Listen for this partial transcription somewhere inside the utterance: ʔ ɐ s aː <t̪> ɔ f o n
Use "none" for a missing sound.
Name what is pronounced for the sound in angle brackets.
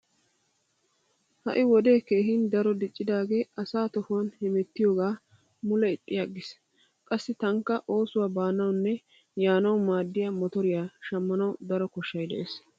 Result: t̪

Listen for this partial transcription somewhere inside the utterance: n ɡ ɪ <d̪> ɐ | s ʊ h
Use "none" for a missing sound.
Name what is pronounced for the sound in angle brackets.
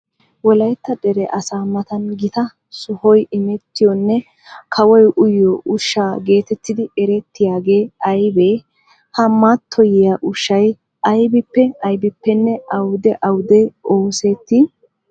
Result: t̪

